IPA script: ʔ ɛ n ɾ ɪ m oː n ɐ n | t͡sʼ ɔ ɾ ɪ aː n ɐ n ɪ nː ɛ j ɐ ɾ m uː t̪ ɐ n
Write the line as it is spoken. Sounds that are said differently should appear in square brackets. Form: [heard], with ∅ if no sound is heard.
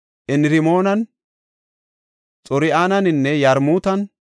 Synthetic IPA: ʔ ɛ n ɾ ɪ m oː n ɐ n | t͡sʼ ɔ ɾ ɪ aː n ɐ n ɪ nː ɛ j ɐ ɾ m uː t̪ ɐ n